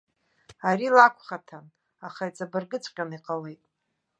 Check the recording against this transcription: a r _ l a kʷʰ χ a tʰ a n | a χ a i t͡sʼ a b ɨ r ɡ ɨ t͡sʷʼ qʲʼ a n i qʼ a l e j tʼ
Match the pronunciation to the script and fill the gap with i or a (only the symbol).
i